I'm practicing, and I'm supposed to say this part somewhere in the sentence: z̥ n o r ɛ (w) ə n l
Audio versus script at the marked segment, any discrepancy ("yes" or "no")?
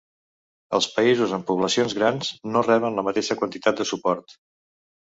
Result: yes